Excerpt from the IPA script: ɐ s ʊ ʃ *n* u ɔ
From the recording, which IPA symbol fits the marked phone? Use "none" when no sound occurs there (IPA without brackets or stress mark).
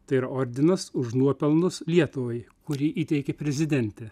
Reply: n